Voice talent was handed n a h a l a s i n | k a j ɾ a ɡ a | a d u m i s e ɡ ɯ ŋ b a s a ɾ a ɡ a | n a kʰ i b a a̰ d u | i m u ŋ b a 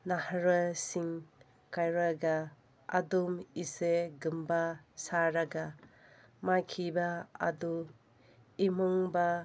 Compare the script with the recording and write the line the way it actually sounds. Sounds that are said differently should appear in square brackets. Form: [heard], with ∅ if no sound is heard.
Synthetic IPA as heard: n a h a [ɾ] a s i [ŋ] | k a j ɾ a ɡ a | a d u m i s e ɡ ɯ [m] b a s a ɾ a ɡ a | [m] a kʰ i b a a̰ d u | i m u ŋ b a